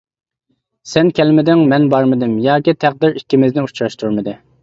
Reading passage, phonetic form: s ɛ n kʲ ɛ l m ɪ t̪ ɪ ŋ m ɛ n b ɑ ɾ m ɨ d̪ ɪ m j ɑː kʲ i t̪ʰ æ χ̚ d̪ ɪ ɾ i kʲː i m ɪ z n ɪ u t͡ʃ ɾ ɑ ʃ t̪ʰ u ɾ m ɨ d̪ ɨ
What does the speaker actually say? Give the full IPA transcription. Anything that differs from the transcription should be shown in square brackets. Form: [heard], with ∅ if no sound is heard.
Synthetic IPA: s ɛ n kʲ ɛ l m ɪ [d̪] ɪ ŋ m ɛ n b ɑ ɾ m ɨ d̪ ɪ m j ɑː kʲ i t̪ʰ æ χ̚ d̪ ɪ ɾ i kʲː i m ɪ z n ɪ u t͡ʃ ɾ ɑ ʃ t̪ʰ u ɾ m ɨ d̪ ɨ